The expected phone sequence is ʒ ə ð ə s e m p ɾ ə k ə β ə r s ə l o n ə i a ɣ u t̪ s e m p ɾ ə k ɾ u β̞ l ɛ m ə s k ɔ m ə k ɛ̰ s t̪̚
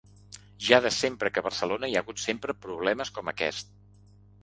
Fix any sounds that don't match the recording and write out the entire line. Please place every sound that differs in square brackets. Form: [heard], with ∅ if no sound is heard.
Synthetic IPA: ʒ [a] ð ə s e m p ɾ ə k ə β ə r s ə l o n ə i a ɣ u t̪ s e m p ɾ ə [p] ɾ u β̞ l ɛ m ə s k ɔ m ə k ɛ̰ s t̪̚